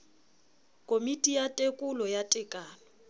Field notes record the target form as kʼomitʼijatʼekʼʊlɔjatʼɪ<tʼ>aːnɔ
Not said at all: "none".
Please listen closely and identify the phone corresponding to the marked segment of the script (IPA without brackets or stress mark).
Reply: kʼ